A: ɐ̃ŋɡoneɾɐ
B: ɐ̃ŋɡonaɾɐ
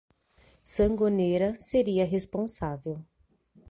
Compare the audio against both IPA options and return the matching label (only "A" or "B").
A